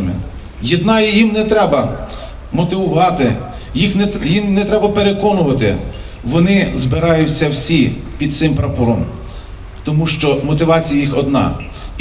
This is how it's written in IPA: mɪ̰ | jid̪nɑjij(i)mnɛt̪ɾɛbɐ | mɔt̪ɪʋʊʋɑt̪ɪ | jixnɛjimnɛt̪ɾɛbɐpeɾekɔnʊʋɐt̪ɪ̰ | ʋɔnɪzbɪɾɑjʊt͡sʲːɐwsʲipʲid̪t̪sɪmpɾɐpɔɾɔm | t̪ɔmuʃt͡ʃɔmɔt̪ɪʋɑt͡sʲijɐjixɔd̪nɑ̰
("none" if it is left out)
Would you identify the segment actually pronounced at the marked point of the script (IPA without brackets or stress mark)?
i